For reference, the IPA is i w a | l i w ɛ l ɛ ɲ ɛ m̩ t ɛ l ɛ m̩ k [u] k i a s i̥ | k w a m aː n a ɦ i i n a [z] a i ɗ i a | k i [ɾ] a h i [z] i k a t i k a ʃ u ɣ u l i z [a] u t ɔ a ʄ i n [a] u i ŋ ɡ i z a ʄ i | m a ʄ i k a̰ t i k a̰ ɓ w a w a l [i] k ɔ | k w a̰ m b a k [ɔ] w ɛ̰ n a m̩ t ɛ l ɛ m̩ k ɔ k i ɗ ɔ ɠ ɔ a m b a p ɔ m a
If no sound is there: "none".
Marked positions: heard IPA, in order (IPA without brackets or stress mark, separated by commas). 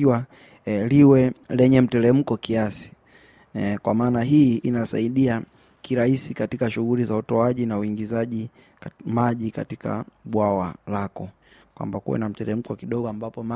ɔ, s, ɾ, s, a, a, a, u